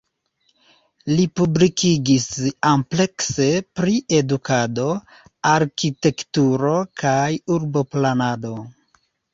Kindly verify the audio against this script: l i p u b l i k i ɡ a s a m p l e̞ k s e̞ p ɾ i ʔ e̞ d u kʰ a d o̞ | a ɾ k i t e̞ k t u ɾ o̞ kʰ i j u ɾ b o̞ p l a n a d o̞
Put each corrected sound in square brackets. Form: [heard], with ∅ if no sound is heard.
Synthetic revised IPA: l i p u b l i k i ɡ [i] s a m p l e̞ k s e̞ p ɾ i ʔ e̞ d u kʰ a d o̞ | a ɾ k i t e̞ k t u ɾ o̞ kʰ [a] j u ɾ b o̞ p l a n a d o̞